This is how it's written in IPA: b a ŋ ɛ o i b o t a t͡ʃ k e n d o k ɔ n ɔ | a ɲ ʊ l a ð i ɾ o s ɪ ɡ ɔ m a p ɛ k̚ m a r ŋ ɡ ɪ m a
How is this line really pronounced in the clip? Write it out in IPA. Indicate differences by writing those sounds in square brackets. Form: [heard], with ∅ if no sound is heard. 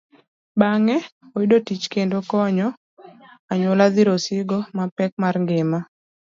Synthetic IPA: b a ŋ ɛ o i [d] o t [i] t͡ʃ k e n d o k ɔ [ɲ] ɔ | a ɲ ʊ l a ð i ɾ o s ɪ ɡ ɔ m a p ɛ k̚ m a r ŋ ɡ ɪ m a